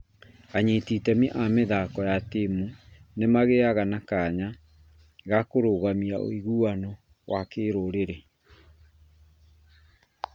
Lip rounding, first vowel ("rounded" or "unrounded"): unrounded